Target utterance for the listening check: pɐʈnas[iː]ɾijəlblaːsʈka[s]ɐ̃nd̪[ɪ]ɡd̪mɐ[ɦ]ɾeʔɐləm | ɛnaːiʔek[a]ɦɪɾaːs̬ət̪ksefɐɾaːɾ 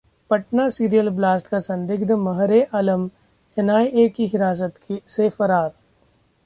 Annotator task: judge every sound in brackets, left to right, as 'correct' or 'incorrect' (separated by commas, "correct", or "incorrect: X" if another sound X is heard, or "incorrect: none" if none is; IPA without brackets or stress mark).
correct, correct, correct, correct, incorrect: i